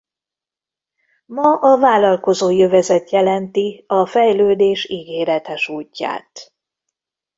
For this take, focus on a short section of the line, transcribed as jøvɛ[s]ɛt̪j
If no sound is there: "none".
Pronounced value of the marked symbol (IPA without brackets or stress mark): z